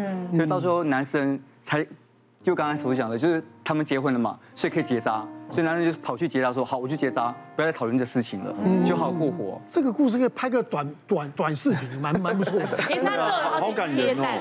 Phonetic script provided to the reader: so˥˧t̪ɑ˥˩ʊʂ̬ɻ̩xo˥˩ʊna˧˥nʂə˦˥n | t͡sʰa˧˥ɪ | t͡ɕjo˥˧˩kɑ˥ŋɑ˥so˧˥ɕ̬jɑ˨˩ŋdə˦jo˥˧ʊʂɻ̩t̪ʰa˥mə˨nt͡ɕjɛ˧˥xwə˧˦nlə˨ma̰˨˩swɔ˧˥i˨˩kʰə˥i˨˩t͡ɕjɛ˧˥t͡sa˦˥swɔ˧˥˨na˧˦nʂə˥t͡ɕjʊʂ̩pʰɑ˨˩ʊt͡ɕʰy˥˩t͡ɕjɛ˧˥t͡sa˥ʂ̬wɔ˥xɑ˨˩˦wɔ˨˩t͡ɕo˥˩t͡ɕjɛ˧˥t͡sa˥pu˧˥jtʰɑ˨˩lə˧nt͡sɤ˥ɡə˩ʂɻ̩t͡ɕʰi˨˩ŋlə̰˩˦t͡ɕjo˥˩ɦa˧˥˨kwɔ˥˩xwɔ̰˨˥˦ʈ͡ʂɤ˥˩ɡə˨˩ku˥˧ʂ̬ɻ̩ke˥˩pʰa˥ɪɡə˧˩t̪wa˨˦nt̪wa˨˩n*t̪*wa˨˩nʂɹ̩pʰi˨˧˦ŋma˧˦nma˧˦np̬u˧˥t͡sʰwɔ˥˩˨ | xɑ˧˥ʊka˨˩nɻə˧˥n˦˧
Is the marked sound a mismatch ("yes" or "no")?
no